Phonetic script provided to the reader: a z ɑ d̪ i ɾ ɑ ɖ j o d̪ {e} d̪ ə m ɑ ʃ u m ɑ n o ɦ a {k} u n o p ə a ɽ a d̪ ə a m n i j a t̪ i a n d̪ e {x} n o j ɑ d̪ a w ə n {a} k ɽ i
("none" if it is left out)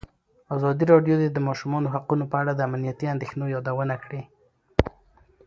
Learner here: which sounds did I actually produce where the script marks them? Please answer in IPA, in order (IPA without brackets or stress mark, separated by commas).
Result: e, q, x, a